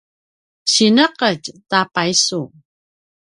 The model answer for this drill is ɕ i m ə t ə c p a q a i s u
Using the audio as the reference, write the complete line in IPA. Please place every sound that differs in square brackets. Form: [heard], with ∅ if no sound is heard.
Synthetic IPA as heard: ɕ i [n] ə [q] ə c [t] a [p] a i s u